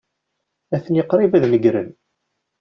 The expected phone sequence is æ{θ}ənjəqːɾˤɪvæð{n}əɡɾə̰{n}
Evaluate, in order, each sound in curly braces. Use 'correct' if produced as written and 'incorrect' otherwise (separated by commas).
correct, correct, correct